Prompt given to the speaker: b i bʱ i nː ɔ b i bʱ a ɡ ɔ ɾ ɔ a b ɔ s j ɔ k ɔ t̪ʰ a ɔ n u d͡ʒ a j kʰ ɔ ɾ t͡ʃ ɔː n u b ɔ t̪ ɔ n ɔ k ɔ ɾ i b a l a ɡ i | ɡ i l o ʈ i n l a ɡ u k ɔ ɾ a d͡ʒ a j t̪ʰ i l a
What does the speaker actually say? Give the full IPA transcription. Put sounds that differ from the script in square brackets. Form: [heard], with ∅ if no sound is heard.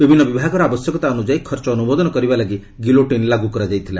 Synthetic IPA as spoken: b i bʱ i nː ɔ b i bʱ a ɡ ɔ ɾ ɔ a b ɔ s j ɔ k ɔ [t̪] a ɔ n u d͡ʒ a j kʰ ɔ ɾ t͡ʃ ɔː n u b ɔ [d̪] ɔ n ɔ k ɔ ɾ i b a l a ɡ i | ɡ i l o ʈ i n l a ɡ u k ɔ ɾ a d͡ʒ a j t̪ʰ i l a